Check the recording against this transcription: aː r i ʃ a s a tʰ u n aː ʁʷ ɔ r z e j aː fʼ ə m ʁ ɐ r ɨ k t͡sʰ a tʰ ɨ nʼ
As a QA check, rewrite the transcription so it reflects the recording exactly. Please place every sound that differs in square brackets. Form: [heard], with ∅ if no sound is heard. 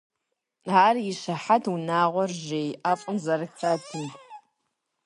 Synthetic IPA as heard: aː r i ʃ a [ħ] a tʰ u n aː ʁʷ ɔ r [ʒ] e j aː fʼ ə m [z] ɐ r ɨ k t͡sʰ a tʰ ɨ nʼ